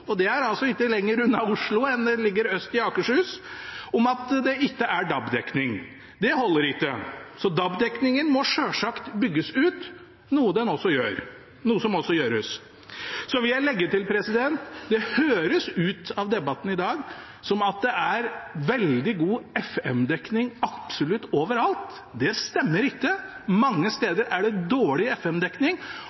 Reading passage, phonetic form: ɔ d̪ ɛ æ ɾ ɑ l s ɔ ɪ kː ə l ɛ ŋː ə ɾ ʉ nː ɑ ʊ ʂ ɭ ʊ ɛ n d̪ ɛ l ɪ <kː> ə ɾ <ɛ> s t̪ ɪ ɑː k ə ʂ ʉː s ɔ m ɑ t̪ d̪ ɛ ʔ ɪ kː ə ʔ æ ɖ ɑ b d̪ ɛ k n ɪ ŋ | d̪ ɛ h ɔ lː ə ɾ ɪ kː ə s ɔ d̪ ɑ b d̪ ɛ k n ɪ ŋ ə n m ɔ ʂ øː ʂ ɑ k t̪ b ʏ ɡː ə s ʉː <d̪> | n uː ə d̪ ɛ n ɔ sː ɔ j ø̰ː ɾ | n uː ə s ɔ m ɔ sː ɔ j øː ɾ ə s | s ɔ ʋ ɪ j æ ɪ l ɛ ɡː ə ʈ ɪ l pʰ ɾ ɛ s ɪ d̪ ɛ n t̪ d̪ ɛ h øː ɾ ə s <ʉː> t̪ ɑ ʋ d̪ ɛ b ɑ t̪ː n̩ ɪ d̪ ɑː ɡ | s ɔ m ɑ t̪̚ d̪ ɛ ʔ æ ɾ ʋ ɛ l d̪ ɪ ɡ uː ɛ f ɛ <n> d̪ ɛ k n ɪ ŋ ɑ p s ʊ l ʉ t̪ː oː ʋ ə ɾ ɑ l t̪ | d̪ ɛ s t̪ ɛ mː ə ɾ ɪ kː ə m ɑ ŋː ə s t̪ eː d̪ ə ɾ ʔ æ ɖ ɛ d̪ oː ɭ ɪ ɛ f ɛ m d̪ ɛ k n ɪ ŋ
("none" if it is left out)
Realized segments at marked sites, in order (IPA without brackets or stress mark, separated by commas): ɡː, œ, t̪, ʉː, m